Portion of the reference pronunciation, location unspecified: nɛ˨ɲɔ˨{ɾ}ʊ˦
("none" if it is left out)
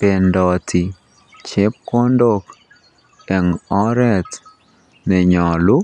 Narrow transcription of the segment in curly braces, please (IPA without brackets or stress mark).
l